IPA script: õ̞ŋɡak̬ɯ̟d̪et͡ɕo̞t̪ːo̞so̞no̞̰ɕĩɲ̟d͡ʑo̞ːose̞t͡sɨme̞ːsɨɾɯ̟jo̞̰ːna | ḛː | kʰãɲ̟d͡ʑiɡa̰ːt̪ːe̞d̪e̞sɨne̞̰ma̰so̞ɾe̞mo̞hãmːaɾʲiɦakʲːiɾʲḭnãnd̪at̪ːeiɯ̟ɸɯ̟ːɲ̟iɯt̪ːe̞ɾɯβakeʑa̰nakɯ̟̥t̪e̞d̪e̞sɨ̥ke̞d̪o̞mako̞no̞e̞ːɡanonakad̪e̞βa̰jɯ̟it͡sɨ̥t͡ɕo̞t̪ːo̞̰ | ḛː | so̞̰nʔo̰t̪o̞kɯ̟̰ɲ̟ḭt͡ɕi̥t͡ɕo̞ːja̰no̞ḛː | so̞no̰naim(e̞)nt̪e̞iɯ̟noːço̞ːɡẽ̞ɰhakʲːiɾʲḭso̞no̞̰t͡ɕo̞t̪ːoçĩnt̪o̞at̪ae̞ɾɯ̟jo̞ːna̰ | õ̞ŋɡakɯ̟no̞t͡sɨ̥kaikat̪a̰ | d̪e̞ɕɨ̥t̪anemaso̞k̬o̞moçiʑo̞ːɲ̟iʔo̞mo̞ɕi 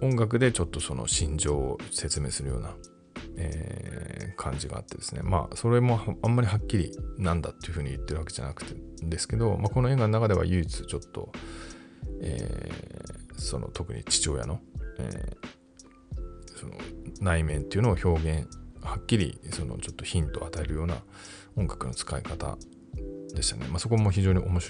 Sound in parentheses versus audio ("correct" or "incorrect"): incorrect